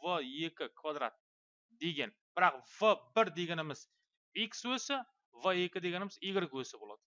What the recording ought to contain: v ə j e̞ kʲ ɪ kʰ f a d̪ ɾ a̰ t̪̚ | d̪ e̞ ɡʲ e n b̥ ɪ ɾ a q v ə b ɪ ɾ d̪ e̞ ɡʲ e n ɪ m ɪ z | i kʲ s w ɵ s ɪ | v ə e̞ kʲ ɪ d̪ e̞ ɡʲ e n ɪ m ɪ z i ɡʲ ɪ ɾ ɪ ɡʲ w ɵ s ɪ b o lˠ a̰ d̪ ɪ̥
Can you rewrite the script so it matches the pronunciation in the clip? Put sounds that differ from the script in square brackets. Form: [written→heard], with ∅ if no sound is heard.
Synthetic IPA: v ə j e̞ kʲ ɪ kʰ [f→v] a d̪ ɾ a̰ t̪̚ | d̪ e̞ ɡʲ e n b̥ ɪ ɾ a q v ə b ɪ ɾ d̪ e̞ ɡʲ e n ɪ m ɪ z | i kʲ s w ɵ s ɪ | v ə e̞ kʲ ɪ d̪ e̞ ɡʲ e n ɪ m ɪ z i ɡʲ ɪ ɾ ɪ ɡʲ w ɵ s ɪ b o lˠ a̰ d̪ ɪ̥